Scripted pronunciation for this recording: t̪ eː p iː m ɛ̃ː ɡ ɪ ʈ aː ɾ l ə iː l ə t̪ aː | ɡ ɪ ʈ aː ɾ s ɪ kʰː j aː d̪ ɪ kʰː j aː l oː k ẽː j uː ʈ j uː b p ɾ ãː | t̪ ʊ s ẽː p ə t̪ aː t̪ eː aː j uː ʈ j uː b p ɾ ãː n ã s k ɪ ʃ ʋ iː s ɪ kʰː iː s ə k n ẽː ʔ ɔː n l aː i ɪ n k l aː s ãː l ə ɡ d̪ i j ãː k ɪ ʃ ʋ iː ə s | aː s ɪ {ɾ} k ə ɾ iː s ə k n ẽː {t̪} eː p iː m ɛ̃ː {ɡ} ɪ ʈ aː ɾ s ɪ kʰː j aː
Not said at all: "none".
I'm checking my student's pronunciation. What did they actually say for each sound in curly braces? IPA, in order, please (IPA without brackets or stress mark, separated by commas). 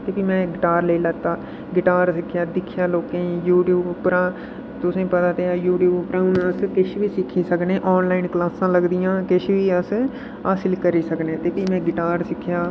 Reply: l, t̪, ɡ